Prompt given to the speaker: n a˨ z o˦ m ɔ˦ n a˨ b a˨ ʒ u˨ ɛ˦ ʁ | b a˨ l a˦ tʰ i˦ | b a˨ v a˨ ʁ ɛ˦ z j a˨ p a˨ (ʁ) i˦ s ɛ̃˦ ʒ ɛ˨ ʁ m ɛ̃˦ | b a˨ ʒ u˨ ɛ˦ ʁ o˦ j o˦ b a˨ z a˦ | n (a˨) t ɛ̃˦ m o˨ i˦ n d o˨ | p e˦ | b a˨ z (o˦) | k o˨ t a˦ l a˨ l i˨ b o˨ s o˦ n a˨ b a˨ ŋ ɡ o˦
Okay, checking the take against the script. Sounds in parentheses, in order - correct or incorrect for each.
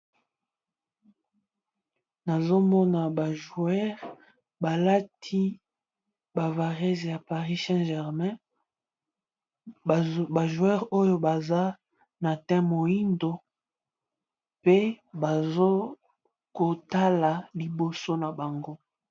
correct, correct, correct

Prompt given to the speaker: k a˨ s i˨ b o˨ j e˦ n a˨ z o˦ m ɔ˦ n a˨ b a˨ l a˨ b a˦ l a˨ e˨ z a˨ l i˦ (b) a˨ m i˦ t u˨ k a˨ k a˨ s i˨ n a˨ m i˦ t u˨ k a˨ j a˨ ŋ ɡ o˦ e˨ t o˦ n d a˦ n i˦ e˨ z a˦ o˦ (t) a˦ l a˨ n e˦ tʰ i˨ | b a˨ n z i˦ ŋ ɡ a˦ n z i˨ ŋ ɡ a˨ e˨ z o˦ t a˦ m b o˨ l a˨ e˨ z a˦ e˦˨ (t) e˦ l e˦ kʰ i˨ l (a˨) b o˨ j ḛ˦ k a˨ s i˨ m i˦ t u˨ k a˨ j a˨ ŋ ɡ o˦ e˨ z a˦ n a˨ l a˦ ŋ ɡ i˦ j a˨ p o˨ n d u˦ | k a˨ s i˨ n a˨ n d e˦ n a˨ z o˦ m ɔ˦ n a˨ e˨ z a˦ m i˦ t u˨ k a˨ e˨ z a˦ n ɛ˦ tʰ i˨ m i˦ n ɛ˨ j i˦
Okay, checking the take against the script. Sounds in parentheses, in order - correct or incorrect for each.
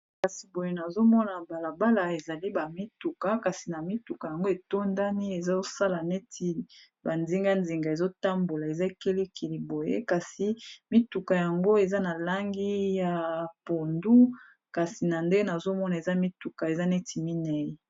correct, incorrect: s, incorrect: k, incorrect: i˨

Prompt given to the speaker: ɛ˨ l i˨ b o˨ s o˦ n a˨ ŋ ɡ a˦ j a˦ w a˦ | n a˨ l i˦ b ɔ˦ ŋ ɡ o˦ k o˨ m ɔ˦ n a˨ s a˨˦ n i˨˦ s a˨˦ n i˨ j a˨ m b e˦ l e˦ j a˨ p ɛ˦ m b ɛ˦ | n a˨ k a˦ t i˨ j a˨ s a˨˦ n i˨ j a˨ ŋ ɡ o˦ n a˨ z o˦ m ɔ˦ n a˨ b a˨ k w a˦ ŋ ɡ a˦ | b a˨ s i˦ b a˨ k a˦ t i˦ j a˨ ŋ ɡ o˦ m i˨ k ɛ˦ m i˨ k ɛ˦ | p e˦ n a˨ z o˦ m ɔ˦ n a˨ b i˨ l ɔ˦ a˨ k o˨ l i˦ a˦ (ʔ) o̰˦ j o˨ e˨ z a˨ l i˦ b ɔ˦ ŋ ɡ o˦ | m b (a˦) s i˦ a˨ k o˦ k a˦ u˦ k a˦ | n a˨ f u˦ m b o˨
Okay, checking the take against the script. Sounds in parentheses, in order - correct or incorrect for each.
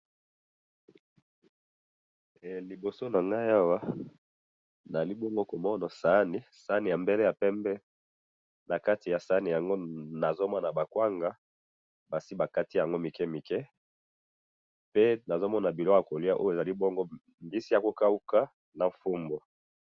correct, incorrect: i˦

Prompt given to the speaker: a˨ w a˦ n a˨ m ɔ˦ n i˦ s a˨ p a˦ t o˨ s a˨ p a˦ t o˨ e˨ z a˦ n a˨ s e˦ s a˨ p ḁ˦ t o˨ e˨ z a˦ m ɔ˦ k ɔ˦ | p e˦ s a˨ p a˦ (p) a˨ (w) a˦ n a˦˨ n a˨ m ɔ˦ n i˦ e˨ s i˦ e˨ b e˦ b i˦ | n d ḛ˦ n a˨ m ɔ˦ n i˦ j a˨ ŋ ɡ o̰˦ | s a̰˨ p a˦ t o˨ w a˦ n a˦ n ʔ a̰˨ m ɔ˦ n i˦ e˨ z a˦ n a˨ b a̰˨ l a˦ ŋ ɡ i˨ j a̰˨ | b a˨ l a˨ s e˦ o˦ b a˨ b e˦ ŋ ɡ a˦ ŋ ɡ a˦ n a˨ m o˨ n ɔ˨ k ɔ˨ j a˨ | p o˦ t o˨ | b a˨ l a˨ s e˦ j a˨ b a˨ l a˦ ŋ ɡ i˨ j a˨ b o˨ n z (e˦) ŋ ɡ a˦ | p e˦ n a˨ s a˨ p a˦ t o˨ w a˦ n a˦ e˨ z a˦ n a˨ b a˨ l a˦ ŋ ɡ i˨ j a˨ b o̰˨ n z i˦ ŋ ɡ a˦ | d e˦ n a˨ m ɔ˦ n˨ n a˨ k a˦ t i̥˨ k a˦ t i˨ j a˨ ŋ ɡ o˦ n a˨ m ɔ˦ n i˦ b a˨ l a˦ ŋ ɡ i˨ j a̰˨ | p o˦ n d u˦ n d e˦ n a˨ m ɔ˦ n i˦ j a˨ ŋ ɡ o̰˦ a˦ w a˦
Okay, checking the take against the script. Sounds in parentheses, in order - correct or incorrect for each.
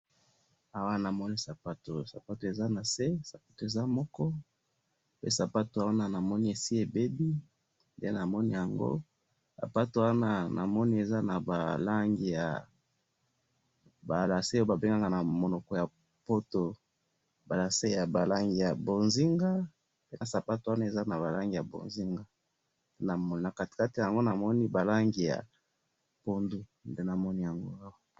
incorrect: t, correct, incorrect: i˦

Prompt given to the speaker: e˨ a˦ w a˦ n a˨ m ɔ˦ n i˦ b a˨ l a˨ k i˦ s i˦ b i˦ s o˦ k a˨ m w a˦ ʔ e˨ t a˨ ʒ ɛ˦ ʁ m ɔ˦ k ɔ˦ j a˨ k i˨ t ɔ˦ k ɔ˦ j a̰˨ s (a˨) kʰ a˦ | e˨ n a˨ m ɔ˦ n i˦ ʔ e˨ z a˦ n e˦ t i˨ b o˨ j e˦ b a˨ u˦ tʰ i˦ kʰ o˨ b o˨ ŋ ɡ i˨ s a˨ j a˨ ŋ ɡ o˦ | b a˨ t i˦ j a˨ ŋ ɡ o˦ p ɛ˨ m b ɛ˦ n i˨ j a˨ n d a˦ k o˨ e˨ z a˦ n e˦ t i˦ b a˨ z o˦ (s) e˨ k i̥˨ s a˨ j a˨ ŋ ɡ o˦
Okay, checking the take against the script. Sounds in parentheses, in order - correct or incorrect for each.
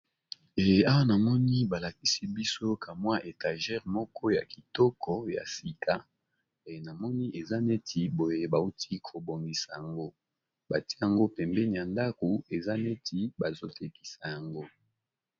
incorrect: i˨, incorrect: t

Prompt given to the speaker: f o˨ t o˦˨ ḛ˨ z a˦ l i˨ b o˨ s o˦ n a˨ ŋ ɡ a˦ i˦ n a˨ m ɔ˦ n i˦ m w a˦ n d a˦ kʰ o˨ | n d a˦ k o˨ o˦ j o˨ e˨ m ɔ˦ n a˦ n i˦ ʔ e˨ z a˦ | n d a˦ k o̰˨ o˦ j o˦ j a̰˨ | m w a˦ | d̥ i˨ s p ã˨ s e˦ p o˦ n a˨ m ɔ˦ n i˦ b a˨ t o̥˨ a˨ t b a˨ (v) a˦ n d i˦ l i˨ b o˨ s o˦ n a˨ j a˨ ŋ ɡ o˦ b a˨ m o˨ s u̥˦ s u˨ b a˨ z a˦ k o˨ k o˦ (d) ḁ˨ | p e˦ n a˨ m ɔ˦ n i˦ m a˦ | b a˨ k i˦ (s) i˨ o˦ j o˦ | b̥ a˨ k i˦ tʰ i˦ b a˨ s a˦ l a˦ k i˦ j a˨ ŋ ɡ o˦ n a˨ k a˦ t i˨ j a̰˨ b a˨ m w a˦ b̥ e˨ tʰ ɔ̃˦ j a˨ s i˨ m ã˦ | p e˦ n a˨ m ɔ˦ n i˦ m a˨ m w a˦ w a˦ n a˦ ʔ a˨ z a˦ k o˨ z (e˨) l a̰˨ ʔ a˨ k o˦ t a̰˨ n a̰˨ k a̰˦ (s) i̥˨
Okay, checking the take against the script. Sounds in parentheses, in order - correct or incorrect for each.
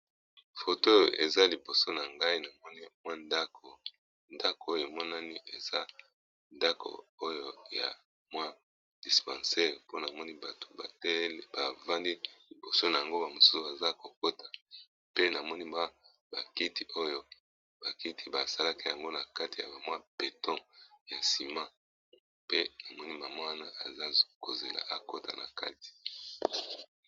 correct, incorrect: t, incorrect: t, correct, incorrect: t

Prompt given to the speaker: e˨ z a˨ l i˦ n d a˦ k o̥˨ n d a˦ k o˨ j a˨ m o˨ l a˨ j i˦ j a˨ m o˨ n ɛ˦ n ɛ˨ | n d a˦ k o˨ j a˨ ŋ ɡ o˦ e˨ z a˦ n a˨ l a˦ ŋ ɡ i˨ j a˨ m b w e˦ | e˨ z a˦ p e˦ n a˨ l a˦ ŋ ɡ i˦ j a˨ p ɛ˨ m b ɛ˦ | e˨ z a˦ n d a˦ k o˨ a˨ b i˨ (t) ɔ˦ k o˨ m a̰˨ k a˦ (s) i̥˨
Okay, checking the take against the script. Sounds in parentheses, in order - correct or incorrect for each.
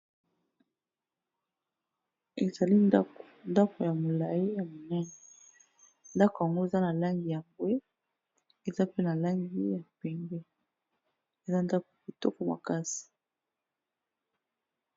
correct, correct

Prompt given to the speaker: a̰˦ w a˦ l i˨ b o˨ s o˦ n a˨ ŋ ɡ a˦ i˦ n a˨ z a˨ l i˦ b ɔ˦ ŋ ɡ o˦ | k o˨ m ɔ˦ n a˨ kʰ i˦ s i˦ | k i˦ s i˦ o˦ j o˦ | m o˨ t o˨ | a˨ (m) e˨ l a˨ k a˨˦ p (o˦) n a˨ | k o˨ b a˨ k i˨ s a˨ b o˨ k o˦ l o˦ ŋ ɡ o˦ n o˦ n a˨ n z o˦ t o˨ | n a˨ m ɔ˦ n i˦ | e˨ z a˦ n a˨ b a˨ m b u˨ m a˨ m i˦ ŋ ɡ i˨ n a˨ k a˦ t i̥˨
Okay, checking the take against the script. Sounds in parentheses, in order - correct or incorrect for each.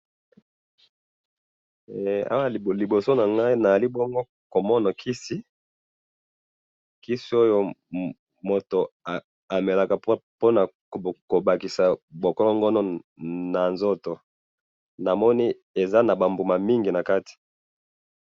correct, correct

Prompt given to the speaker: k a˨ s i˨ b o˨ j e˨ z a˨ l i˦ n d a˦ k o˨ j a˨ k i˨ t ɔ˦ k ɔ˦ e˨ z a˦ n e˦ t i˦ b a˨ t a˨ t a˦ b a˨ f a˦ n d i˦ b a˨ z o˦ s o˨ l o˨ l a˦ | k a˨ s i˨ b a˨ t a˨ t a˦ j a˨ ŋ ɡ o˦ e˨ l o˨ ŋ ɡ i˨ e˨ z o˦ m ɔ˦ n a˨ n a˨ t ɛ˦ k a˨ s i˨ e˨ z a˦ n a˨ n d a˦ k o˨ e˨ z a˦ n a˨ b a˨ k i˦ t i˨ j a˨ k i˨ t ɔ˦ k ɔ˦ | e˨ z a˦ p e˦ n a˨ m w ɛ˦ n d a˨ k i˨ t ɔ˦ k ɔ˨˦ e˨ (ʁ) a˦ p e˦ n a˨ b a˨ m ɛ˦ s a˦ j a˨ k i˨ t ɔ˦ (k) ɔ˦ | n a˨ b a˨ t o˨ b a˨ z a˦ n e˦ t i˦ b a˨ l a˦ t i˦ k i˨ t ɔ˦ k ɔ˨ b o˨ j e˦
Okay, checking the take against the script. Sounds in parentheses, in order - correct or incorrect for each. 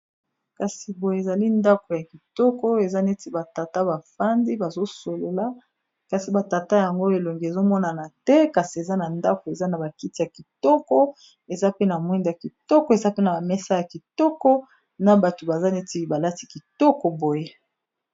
incorrect: z, correct

